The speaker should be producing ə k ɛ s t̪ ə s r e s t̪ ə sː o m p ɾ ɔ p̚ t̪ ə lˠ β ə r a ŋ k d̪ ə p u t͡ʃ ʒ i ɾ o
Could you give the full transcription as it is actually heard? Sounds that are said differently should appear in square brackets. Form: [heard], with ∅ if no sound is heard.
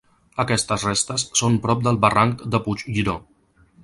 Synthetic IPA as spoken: ə k ɛ s t̪ ə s r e s t̪ ə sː o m p ɾ ɔ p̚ [d̪] ə lˠ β ə r a ŋ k d̪ ə p u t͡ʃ ʒ i ɾ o